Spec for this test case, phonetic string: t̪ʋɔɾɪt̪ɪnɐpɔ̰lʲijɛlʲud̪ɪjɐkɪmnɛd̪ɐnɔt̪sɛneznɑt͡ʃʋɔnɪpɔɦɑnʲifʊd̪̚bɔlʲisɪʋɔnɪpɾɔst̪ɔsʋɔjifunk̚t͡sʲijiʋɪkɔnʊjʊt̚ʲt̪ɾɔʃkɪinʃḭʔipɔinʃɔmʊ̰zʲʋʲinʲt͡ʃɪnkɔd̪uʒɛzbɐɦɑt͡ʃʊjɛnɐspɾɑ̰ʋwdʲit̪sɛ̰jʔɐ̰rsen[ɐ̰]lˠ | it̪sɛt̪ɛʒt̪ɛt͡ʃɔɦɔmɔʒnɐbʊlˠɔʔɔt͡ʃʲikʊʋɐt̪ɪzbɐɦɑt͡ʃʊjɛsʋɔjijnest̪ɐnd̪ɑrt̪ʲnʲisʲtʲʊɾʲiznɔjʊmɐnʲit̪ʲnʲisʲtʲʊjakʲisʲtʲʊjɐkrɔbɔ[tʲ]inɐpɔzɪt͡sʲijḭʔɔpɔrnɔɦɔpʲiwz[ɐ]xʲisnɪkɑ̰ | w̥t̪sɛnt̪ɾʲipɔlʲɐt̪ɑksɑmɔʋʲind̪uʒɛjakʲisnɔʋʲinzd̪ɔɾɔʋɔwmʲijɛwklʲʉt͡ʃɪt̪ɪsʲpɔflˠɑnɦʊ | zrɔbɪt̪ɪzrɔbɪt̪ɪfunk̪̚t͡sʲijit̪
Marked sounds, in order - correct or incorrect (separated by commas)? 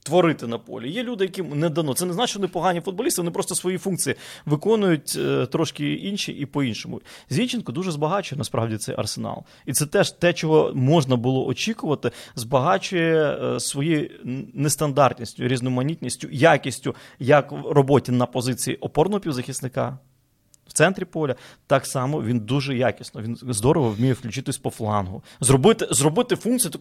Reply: incorrect, correct, correct